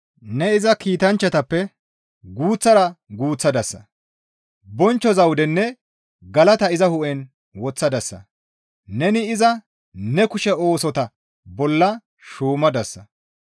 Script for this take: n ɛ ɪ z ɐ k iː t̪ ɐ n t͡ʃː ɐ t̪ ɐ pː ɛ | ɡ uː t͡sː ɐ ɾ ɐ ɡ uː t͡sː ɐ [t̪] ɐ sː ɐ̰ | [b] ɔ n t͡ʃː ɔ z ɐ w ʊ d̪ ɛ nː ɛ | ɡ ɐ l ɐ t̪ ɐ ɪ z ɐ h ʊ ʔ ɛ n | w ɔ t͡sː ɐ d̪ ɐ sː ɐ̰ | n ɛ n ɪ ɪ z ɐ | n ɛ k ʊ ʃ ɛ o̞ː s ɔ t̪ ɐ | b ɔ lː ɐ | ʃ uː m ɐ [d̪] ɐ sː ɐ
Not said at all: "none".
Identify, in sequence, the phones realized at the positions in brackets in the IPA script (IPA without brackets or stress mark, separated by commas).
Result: d̪, b, d̪